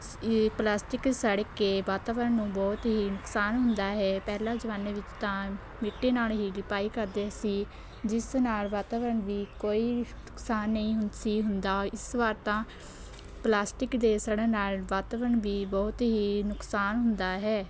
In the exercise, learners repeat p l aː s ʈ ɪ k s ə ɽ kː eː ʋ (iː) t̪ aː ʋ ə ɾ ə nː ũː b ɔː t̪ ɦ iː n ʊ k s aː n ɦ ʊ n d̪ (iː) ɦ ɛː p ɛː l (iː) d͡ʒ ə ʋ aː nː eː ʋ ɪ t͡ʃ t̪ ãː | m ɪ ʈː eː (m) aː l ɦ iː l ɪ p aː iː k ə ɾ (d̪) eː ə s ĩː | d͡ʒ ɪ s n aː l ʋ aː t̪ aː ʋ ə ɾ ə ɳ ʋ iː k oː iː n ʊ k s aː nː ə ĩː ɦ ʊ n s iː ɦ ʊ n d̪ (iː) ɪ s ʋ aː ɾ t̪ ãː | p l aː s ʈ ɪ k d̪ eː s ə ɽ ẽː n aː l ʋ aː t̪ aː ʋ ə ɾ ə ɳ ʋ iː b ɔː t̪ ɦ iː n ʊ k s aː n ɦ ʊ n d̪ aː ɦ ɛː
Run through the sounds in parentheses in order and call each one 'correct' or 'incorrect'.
incorrect: aː, incorrect: aː, incorrect: aː, incorrect: n, correct, incorrect: aː

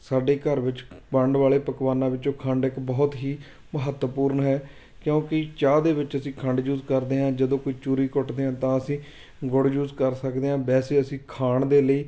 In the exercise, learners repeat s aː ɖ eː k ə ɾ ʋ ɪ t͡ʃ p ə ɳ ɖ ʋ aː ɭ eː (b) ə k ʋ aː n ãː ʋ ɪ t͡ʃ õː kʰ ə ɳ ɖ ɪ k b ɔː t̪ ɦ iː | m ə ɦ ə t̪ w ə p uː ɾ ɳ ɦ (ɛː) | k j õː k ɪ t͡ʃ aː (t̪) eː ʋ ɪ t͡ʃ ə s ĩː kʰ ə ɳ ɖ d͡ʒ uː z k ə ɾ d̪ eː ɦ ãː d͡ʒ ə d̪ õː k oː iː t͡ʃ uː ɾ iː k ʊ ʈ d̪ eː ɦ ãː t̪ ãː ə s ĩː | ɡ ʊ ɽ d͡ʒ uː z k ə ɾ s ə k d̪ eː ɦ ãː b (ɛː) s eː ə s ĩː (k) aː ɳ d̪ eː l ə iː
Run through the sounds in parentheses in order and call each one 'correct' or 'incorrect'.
incorrect: p, correct, incorrect: d̪, correct, incorrect: kʰ

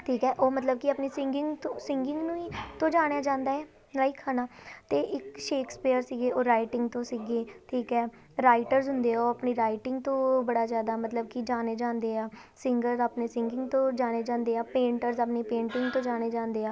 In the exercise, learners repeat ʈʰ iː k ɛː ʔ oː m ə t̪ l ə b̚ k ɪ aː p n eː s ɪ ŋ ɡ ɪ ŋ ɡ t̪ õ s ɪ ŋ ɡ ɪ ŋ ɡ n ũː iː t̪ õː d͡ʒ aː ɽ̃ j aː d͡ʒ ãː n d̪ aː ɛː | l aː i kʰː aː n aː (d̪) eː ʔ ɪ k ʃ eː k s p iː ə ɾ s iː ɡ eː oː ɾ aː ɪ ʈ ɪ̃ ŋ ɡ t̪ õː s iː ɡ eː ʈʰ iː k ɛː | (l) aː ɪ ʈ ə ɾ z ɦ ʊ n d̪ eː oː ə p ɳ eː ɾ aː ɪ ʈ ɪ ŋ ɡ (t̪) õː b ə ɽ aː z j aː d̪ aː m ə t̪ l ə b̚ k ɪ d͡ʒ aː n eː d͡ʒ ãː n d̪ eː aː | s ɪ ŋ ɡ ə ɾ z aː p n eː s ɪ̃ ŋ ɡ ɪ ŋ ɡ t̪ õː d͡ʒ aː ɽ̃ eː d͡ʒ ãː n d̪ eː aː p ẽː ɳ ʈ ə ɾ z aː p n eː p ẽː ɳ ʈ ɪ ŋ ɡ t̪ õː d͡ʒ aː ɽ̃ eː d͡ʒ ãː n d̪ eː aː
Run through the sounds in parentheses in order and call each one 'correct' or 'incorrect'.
incorrect: t̪, incorrect: ɾ, correct

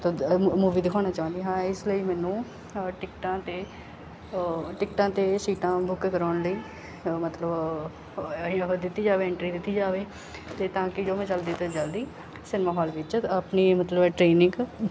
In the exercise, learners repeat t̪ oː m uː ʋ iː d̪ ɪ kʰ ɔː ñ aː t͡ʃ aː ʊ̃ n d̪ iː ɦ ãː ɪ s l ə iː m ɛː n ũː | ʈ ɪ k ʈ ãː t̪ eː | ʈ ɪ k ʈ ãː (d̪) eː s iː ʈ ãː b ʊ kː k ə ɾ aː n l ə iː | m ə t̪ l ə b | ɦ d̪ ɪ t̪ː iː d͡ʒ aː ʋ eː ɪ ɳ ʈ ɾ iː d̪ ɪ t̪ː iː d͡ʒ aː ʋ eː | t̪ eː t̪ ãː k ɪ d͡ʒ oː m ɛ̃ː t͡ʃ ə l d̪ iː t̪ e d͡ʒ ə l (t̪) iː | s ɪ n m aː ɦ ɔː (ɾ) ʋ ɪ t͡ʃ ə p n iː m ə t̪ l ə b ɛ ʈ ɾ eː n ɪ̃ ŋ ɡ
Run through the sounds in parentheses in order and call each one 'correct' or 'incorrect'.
incorrect: t̪, incorrect: d̪, incorrect: l

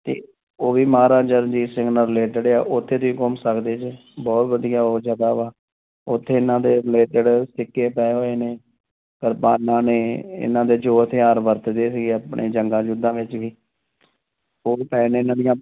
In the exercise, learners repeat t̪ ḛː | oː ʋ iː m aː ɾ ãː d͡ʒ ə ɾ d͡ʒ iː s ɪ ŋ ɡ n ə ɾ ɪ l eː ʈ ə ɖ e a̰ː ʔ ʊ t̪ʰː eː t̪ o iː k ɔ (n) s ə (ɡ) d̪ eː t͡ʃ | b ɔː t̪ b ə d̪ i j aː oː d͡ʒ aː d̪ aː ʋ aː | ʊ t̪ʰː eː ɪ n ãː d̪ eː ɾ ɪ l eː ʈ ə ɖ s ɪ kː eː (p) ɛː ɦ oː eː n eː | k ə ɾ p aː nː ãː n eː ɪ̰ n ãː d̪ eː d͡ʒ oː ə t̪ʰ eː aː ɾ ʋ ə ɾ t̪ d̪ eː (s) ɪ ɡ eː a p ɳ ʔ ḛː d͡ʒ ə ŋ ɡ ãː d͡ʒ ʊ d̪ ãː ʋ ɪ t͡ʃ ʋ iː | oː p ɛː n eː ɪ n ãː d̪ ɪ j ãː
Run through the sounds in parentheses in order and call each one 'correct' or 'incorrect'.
incorrect: m, incorrect: k, correct, correct

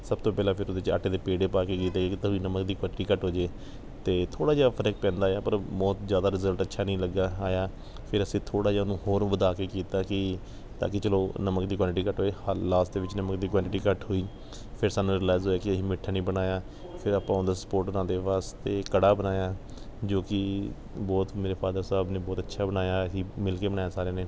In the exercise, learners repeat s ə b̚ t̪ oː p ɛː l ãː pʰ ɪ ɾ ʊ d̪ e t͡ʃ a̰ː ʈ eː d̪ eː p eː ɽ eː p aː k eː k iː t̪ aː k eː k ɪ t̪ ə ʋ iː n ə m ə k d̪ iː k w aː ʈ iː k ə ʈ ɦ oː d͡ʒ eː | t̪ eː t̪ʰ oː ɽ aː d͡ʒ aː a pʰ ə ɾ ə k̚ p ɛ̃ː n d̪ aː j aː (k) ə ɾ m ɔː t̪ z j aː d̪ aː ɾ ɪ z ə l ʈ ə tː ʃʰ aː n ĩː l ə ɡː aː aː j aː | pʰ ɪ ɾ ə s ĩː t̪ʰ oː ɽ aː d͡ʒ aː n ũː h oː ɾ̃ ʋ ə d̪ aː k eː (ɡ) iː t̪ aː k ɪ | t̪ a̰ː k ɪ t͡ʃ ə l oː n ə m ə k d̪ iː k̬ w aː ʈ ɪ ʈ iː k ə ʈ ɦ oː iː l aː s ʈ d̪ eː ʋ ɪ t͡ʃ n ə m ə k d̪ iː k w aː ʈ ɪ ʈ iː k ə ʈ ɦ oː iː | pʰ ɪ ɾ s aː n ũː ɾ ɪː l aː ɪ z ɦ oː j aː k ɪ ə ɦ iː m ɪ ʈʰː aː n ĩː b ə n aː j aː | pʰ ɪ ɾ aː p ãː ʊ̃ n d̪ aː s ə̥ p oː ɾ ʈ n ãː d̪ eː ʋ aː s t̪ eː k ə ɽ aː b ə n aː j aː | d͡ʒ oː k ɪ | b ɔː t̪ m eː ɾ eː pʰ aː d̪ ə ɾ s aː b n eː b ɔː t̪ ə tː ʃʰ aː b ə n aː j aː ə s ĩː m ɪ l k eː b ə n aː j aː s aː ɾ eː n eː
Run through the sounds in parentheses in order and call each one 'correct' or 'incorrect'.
incorrect: p, incorrect: k

